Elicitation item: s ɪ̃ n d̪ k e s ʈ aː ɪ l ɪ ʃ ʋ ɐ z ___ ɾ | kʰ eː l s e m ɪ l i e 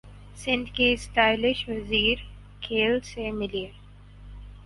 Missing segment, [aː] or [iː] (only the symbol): iː